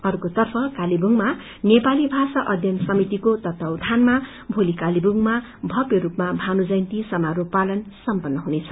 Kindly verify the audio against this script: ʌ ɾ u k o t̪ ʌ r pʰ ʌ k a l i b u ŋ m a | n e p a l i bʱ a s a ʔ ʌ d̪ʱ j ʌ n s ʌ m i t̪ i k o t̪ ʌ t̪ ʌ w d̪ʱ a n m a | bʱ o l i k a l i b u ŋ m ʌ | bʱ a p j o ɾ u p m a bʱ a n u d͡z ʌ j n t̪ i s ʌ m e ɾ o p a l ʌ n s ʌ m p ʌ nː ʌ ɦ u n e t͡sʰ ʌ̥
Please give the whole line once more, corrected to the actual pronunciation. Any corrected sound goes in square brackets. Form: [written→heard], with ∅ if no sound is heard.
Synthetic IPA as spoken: ʌ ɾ u k o t̪ ʌ r pʰ ʌ k a l i b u ŋ m a | n e p a l i bʱ a s a ʔ ʌ d̪ʱ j ʌ n s ʌ m i t̪ i k o t̪ ʌ t̪ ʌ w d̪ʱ a n m a | bʱ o l i k a l i b u ŋ m [ʌ→a] | bʱ [a→ʌ] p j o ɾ u p m a bʱ a n u d͡z ʌ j n t̪ i s ʌ m [e→a] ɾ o p a l ʌ n s ʌ m p ʌ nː ʌ ɦ u n e t͡sʰ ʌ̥